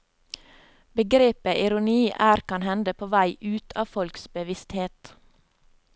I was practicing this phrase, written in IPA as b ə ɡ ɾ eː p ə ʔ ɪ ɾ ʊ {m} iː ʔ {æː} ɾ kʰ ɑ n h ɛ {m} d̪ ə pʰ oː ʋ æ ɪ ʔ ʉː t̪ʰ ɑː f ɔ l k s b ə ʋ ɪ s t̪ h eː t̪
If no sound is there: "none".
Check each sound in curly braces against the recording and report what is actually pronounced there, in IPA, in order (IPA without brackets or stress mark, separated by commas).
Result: n, æː, n